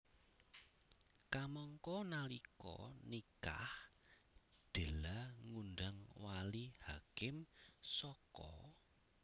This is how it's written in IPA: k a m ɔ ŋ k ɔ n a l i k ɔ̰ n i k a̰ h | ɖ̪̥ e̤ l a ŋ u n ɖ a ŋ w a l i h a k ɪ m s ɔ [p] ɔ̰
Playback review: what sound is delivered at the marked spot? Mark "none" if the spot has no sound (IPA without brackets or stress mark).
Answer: k